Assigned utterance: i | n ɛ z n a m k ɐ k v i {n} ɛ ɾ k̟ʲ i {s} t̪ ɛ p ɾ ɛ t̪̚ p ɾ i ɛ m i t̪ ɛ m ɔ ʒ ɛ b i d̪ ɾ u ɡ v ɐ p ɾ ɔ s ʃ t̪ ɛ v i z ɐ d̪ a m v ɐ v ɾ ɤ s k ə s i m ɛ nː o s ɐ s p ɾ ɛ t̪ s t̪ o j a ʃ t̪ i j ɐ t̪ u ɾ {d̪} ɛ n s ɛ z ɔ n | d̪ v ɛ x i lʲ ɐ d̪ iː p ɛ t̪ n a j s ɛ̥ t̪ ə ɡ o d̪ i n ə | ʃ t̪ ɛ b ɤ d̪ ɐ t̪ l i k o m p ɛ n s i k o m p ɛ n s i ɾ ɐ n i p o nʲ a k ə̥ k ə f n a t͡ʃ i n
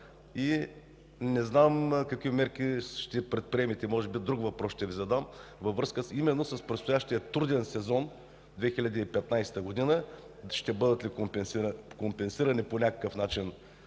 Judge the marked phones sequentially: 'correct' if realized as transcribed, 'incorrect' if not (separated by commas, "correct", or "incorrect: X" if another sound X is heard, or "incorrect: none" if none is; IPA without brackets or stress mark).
incorrect: m, incorrect: ʃ, correct